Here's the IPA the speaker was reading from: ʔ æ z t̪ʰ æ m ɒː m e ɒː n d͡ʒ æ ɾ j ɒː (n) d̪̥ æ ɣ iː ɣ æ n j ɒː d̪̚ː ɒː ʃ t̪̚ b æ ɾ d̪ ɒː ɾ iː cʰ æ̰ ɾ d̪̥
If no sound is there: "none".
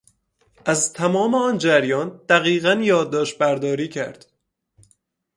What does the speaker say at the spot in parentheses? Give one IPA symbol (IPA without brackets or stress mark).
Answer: n